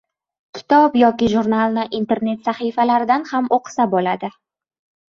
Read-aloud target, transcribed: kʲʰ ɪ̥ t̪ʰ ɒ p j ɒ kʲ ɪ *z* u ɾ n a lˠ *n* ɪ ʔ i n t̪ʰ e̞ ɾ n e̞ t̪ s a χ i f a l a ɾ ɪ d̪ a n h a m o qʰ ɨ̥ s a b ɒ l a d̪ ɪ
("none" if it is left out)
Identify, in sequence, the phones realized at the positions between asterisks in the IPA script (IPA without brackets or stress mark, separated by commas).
ʒ, n